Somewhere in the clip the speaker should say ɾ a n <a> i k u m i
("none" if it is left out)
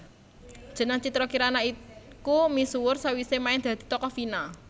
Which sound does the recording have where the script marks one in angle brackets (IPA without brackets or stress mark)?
a